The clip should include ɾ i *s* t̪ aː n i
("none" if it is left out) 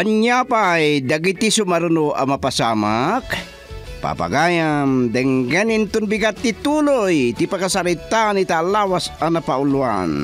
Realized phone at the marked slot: none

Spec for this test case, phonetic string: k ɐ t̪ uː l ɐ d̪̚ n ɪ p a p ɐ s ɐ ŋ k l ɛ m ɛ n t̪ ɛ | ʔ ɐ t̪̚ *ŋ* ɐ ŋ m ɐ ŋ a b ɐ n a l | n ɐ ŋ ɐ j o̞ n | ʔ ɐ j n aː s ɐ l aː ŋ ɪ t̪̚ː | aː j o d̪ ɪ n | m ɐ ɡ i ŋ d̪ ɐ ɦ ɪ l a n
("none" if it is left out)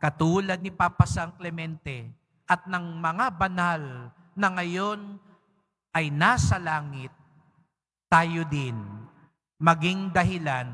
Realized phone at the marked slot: n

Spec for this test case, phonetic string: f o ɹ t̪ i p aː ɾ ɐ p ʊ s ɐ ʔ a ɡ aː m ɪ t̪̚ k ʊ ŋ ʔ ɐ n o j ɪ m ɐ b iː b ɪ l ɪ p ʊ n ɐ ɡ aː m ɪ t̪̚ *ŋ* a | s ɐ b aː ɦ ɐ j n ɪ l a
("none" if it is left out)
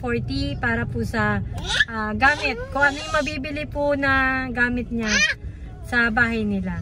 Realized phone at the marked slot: ɲ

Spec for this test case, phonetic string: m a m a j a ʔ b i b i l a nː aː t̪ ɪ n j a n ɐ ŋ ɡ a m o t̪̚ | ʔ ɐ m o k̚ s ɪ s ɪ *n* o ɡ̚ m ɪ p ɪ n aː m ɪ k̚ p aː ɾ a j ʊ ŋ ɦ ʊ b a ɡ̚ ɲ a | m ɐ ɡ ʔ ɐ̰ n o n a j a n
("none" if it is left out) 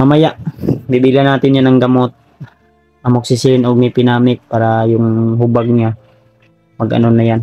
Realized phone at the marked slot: n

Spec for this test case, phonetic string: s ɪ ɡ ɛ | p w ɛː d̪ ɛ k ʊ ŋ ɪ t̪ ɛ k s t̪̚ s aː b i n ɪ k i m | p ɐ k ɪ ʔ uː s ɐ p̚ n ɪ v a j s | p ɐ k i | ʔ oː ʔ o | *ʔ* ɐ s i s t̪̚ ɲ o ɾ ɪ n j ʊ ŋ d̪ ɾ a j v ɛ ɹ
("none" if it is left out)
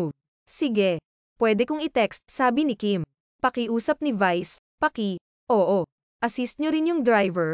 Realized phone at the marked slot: ʔ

